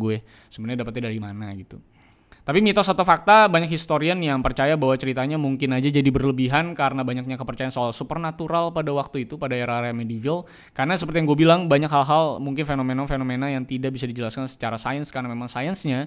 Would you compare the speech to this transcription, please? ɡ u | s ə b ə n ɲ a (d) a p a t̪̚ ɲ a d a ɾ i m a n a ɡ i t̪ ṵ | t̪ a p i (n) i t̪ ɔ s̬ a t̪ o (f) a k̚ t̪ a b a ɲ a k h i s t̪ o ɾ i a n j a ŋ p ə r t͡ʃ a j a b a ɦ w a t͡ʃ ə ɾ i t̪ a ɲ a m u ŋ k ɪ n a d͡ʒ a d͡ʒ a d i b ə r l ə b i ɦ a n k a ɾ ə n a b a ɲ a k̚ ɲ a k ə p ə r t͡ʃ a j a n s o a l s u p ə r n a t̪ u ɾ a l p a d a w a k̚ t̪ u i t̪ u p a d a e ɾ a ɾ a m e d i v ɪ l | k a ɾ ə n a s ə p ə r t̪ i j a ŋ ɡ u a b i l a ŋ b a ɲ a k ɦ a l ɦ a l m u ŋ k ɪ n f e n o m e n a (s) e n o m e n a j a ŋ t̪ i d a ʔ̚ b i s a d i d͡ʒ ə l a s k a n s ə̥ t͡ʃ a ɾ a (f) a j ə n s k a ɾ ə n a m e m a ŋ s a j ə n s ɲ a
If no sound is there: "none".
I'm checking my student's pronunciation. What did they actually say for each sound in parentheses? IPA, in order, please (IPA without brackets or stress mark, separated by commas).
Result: d, m, f, f, s